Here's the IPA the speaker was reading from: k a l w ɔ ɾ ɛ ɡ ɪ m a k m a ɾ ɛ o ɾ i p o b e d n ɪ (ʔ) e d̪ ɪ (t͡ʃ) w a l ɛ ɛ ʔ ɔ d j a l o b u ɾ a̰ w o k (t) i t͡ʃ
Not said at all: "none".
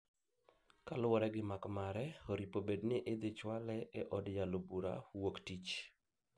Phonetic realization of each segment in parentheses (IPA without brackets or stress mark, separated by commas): ʔ, t͡ʃ, t